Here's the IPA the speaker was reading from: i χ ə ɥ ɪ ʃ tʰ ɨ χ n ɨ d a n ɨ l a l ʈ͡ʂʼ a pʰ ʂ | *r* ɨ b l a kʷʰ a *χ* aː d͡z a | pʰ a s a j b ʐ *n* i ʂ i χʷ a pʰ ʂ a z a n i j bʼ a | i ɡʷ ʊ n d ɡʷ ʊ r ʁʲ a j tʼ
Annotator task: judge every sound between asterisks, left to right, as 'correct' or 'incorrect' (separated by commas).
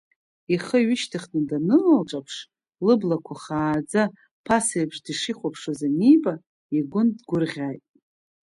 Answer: incorrect, correct, incorrect